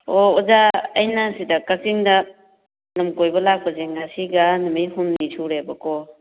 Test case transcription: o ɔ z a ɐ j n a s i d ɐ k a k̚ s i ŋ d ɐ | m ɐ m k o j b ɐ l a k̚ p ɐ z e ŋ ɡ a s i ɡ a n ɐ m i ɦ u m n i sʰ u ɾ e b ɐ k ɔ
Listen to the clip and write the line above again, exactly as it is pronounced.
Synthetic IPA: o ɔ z a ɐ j n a s i d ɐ k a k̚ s i ŋ d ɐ | n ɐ m k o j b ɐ l a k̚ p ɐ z e ŋ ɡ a s i ɡ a n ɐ m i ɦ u m n i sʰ u ɾ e b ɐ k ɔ